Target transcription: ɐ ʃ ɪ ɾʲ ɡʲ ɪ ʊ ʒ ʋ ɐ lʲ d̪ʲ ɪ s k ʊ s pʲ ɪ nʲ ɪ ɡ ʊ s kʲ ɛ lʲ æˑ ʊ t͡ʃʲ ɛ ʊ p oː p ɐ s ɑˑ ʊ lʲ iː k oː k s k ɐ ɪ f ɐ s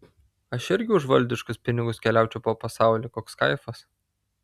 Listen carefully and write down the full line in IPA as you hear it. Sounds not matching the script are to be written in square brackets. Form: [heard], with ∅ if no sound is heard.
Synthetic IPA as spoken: ɐ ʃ ɪ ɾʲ ɡʲ ɪ ʊ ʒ ʋ ɐ lʲ d̪ʲ ɪ [ʃ] k ʊ s pʲ ɪ nʲ ɪ ɡ ʊ s kʲ ɛ lʲ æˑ ʊ t͡ʃʲ ɛ ʊ p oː p ɐ s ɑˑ ʊ lʲ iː k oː k s k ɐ ɪ f ɐ s

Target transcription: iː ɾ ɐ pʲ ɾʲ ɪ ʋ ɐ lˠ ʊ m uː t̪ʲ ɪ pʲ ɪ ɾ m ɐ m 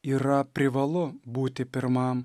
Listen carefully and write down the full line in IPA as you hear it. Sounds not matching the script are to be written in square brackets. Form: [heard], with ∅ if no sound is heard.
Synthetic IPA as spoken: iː ɾ ɐ pʲ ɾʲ ɪ ʋ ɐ lˠ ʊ [b] uː t̪ʲ ɪ pʲ ɪ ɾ m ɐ m

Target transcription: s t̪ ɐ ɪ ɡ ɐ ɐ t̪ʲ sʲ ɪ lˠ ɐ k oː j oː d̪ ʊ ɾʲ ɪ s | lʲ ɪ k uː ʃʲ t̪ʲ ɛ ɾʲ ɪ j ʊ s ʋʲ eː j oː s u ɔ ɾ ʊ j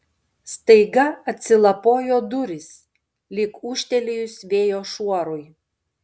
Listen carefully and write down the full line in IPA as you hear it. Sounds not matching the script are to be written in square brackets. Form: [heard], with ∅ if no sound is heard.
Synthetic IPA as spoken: s t̪ ɐ ɪ ɡ ɐ ɐ t̪ʲ sʲ ɪ lˠ ɐ [p] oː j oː d̪ ʊ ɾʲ ɪ s | lʲ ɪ k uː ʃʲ t̪ʲ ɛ [lʲ] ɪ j ʊ s ʋʲ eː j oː [ʃ] u ɔ ɾ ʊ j

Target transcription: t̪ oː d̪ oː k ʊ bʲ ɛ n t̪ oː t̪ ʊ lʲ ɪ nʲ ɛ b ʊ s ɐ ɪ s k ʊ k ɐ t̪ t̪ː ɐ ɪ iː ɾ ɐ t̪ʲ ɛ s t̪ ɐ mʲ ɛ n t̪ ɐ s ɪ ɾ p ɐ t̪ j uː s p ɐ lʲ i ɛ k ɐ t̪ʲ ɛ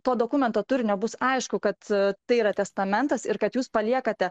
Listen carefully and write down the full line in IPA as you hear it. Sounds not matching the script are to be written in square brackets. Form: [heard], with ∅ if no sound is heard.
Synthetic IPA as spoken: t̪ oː d̪ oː k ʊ [mʲ] ɛ n t̪ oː t̪ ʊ [ɾʲ] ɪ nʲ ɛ b ʊ s ɐ ɪ [ʃ] k ʊ k ɐ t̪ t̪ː ɐ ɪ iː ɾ ɐ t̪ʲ ɛ s t̪ ɐ mʲ ɛ n t̪ ɐ s ɪ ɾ [k] ɐ t̪ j uː s p ɐ lʲ i ɛ k ɐ t̪ʲ ɛ

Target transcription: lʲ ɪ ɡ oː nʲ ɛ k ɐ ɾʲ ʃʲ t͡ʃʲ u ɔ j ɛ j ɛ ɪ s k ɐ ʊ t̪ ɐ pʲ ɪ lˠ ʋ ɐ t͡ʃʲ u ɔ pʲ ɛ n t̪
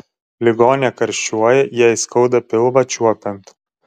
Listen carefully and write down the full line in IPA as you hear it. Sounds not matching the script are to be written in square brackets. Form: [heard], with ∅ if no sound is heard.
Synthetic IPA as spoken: lʲ ɪ ɡ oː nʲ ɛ k ɐ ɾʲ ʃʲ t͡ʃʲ u ɔ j ɛ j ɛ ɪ s k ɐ ʊ [d̪] ɐ pʲ ɪ lˠ ʋ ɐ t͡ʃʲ u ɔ pʲ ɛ n t̪

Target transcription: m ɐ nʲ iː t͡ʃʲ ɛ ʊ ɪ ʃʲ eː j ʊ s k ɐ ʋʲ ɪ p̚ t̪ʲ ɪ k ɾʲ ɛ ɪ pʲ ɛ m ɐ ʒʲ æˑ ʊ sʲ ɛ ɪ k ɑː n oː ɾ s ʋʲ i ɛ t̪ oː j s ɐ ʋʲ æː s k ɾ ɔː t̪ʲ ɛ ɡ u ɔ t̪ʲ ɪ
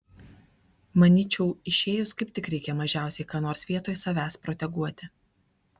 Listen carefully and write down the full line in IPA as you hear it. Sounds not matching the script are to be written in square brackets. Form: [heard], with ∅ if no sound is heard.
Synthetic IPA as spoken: m ɐ nʲ iː t͡ʃʲ ɛ ʊ ɪ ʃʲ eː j ʊ s k ɐ [∅] ɪ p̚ t̪ʲ ɪ k ɾʲ ɛ ɪ [kʲ] ɛ m ɐ ʒʲ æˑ ʊ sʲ ɛ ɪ k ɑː n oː ɾ s ʋʲ i ɛ t̪ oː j s ɐ ʋʲ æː s [p] ɾ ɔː t̪ʲ ɛ ɡ u ɔ t̪ʲ ɪ

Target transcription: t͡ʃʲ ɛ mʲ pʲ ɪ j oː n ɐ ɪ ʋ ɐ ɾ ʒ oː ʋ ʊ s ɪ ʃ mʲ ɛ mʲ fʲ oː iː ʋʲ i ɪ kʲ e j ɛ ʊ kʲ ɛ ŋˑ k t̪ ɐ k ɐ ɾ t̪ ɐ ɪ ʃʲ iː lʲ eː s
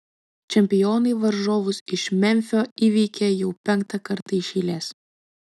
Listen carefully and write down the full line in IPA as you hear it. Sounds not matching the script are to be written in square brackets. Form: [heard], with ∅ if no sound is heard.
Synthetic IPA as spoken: t͡ʃʲ ɛ mʲ pʲ ɪ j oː n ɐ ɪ ʋ ɐ ɾ ʒ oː ʋ ʊ s ɪ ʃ mʲ ɛ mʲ fʲ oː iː ʋʲ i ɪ kʲ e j ɛ ʊ [pʲ] ɛ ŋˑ k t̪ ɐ k ɐ ɾ t̪ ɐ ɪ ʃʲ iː lʲ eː s

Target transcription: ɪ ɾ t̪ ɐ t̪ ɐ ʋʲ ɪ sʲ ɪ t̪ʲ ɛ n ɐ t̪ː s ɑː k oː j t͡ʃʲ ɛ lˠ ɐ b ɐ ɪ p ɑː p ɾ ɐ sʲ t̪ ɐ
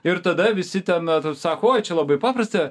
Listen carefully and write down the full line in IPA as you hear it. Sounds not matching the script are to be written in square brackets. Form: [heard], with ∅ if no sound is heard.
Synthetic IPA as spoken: ɪ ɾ t̪ ɐ [d̪] ɐ ʋʲ ɪ sʲ ɪ t̪ʲ ɛ n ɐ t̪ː s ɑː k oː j t͡ʃʲ ɛ lˠ ɐ b ɐ ɪ p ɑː p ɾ ɐ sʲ t̪ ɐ

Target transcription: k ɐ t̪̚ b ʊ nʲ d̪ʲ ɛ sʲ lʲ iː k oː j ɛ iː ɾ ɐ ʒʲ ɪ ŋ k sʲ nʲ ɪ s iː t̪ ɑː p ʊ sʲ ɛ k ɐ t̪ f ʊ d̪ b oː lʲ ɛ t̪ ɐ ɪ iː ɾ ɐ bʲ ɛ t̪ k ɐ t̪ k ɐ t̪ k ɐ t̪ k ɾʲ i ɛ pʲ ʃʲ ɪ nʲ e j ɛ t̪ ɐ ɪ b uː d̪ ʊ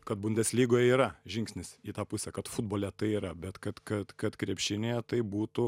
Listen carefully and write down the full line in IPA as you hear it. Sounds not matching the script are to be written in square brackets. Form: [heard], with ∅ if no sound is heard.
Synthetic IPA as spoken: k ɐ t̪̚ b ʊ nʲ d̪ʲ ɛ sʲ lʲ iː [ɡ] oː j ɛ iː ɾ ɐ ʒʲ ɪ ŋ k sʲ nʲ ɪ s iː t̪ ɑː p ʊ sʲ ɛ k ɐ t̪ f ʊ d̪ b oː lʲ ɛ t̪ ɐ ɪ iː ɾ ɐ bʲ ɛ t̪ k ɐ t̪ k ɐ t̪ k ɐ t̪ k ɾʲ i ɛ pʲ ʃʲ ɪ nʲ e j ɛ t̪ ɐ ɪ b uː [t̪] ʊ

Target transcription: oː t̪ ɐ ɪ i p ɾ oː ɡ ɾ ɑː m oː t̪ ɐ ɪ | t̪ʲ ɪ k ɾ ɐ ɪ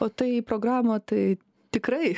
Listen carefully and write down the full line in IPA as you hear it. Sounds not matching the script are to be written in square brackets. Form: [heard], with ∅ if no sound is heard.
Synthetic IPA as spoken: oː t̪ ɐ ɪ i p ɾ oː ɡ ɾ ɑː m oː t̪ ɐ ɪ | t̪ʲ ɪ k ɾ ɐ ɪ

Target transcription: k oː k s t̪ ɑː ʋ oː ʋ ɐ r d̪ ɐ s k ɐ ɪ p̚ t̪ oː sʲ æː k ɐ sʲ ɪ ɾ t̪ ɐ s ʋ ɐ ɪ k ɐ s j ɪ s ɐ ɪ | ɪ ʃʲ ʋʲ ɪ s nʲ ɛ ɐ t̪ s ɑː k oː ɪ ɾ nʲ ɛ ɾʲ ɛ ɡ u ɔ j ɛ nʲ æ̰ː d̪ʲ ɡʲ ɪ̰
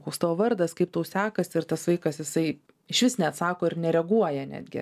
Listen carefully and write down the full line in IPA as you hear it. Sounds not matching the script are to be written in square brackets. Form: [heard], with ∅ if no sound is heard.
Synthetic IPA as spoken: k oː k s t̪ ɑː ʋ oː ʋ ɐ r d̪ ɐ s k ɐ ɪ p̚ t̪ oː sʲ æː k ɐ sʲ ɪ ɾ t̪ ɐ s ʋ ɐ ɪ k ɐ s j ɪ s ɐ ɪ | ɪ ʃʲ ʋʲ ɪ s nʲ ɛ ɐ t̪ s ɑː k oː ɪ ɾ nʲ ɛ ɾʲ ɛ ɡ u ɔ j ɛ nʲ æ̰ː d̪ʲ ɡʲ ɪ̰

